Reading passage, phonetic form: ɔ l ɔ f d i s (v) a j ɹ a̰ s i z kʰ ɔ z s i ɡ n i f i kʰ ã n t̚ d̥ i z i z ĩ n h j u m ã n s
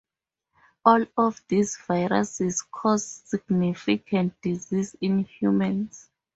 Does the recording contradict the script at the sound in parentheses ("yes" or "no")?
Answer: no